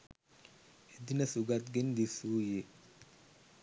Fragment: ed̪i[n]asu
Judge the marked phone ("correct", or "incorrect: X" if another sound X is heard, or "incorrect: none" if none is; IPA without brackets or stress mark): correct